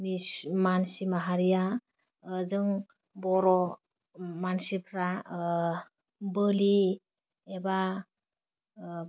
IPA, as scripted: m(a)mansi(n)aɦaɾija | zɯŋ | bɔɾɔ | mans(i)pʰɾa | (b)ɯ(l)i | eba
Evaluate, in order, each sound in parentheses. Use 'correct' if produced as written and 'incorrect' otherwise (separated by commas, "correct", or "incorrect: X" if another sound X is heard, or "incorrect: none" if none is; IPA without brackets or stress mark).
incorrect: i, incorrect: m, correct, correct, correct